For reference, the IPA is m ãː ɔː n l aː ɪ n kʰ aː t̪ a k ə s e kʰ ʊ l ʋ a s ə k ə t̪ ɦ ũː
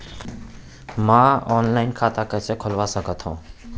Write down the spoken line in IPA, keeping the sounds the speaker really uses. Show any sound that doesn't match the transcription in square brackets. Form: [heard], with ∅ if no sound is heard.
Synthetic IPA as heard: m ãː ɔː n l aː ɪ n kʰ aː t̪ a k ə s e kʰ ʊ l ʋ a s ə k ə t̪ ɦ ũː